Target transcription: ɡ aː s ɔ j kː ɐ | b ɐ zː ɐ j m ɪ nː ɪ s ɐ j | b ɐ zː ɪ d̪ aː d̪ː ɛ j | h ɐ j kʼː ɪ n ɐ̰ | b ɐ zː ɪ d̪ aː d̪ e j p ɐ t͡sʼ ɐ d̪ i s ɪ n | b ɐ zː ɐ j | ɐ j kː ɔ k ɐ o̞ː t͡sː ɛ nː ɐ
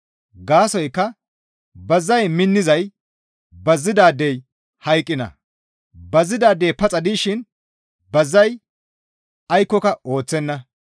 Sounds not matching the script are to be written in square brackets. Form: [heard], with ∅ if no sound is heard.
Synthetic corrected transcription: ɡ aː s ɔ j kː ɐ | b ɐ zː ɐ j m ɪ nː ɪ [z] ɐ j | b ɐ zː ɪ d̪ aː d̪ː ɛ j | h ɐ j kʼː ɪ n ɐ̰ | b ɐ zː ɪ d̪ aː d̪ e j p ɐ t͡sʼ ɐ d̪ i [ʃ] ɪ n | b ɐ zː ɐ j | ɐ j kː ɔ k ɐ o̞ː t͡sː ɛ nː ɐ